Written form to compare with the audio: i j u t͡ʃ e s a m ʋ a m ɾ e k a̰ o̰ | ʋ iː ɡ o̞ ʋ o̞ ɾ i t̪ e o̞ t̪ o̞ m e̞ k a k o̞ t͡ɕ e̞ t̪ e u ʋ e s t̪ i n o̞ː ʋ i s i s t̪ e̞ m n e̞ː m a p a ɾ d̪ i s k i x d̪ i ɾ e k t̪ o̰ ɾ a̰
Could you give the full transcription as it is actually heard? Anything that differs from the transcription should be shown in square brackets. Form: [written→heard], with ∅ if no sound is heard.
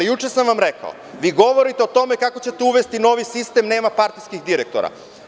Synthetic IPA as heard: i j u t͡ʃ e s a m ʋ a m ɾ e k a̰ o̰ | ʋ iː ɡ o̞ ʋ o̞ ɾ i t̪ e o̞ t̪ o̞ m e̞ k a k o̞ t͡ɕ e̞ t̪ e u ʋ e s t̪ i n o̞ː ʋ i s i s t̪ e̞ m n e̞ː m a p a ɾ [d̪→t̪] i s k i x d̪ i ɾ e k t̪ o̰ ɾ a̰